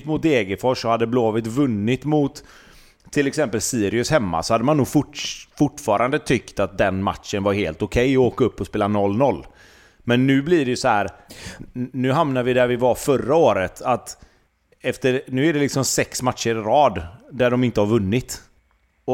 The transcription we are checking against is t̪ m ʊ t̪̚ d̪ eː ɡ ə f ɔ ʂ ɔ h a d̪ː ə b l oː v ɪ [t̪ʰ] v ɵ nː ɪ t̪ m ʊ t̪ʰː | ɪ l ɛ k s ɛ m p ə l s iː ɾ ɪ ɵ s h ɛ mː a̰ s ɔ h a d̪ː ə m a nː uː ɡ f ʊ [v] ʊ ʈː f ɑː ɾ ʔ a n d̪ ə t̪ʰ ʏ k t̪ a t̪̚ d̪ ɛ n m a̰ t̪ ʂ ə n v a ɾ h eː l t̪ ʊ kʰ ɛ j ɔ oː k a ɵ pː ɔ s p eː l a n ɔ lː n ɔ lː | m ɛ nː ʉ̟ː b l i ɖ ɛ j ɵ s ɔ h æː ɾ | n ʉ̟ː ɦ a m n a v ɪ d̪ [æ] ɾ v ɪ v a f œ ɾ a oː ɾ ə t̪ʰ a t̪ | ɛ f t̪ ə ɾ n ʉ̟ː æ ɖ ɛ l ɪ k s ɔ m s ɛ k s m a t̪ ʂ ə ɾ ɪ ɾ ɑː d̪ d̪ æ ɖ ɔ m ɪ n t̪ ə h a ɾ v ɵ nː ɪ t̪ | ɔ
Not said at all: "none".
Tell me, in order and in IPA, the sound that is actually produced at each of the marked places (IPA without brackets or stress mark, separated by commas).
t̪, f, æ